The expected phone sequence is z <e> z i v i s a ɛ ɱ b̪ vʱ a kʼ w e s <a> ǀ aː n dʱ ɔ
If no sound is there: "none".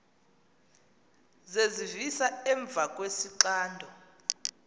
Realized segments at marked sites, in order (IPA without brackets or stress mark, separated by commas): e, i